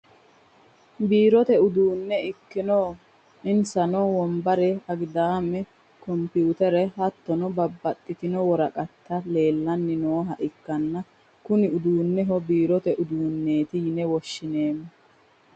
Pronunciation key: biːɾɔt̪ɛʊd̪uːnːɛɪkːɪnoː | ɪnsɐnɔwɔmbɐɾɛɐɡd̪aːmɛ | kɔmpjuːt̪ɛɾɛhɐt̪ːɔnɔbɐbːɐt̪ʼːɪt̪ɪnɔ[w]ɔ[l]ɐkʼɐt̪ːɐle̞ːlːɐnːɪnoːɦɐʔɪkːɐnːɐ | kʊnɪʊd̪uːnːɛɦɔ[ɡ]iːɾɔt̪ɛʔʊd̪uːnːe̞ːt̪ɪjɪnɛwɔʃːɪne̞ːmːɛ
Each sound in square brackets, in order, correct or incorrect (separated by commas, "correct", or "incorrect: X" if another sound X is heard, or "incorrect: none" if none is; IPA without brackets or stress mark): correct, incorrect: ɾ, incorrect: b